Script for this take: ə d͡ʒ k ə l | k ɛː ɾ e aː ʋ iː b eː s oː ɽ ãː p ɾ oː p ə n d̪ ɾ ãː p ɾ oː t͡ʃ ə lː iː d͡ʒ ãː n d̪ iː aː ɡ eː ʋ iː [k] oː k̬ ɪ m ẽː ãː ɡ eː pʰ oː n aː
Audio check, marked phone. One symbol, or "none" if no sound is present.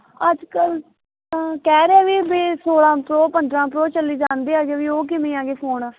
none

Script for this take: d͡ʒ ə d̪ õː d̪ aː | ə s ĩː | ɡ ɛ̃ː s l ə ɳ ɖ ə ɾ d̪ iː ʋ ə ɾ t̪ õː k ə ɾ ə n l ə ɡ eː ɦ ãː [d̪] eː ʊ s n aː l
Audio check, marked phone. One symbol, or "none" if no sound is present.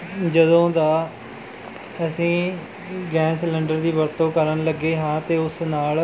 t̪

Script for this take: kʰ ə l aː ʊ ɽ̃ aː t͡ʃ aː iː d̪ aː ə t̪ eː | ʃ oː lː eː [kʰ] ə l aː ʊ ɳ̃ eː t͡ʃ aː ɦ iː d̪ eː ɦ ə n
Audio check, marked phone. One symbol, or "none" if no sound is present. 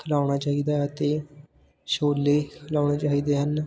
kʰ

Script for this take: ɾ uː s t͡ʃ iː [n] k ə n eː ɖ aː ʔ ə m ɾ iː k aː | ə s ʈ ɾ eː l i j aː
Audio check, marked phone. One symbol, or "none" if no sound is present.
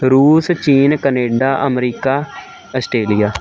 n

